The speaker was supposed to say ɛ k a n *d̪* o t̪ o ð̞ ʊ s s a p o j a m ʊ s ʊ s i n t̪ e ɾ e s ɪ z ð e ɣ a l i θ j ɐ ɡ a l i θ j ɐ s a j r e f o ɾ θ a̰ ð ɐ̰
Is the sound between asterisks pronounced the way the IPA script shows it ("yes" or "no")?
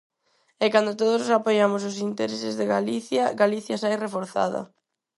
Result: yes